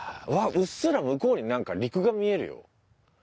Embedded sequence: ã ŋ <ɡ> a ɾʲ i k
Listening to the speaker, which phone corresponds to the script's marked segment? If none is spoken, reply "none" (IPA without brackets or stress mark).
k